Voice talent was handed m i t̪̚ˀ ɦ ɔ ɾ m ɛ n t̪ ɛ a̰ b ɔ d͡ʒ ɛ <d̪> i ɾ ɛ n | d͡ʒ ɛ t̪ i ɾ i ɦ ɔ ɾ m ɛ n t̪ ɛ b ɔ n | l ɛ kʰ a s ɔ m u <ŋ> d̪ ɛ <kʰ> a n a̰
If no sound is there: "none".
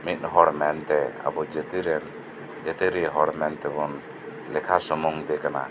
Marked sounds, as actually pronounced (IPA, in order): t̪, ŋ, k

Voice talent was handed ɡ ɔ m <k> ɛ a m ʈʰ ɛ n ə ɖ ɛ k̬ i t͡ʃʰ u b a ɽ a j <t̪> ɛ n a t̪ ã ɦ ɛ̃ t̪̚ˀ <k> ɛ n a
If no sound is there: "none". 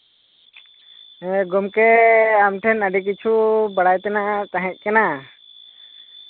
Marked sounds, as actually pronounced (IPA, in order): k, t̪, k

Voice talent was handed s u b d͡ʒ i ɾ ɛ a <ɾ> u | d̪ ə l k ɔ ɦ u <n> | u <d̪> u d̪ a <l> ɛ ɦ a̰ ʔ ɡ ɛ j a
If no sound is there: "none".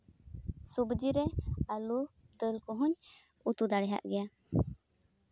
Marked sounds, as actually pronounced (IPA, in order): l, ɲ, t̪, ɽ

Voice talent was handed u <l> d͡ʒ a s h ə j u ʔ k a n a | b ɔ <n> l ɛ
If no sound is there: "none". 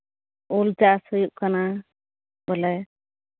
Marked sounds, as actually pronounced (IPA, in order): l, none

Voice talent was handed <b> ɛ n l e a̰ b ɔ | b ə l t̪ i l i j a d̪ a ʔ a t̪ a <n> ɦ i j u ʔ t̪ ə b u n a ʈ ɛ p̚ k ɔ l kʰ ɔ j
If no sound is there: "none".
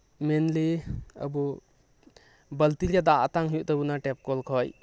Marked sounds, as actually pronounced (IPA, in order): m, ŋ

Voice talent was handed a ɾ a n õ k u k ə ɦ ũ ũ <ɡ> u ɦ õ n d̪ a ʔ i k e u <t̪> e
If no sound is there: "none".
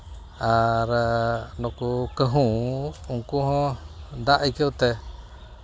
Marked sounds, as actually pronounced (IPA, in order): k, t̪

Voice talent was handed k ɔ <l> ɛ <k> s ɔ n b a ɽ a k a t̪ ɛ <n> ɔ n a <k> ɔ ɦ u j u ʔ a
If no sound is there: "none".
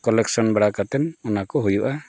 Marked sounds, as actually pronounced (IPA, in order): l, k, n, k

